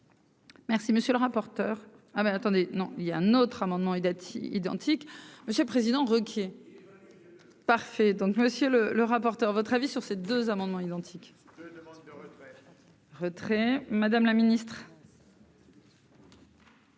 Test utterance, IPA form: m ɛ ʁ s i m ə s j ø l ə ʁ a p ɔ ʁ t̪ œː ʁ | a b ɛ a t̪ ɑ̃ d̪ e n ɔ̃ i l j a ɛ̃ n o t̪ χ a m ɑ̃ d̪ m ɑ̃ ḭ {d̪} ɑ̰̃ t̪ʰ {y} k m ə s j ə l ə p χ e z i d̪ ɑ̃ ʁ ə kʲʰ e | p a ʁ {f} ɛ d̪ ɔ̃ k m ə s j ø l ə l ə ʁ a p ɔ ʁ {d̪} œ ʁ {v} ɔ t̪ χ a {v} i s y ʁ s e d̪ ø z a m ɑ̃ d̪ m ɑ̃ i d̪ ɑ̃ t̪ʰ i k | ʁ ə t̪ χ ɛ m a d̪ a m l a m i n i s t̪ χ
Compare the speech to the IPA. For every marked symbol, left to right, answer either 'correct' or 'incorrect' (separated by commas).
correct, incorrect, correct, incorrect, correct, correct